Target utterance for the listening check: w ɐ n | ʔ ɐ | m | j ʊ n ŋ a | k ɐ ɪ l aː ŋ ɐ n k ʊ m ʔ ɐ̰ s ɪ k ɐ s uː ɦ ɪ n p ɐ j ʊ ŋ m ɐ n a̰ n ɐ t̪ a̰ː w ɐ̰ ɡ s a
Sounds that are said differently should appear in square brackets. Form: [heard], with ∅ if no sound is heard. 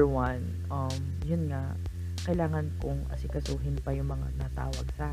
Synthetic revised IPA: w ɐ n | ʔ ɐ | m | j ʊ n ŋ a | k ɐ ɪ l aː ŋ ɐ n k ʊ [ŋ] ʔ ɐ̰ s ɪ k ɐ s uː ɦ ɪ n p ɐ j ʊ ŋ m ɐ [ŋ] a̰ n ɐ t̪ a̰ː w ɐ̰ ɡ s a